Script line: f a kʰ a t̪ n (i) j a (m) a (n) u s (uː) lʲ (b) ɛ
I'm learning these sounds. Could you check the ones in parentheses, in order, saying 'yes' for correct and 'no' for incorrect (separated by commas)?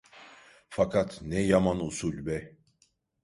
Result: no, yes, yes, no, yes